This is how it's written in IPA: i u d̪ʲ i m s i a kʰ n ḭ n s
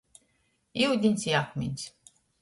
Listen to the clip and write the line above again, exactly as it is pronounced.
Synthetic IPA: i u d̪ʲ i n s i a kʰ m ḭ n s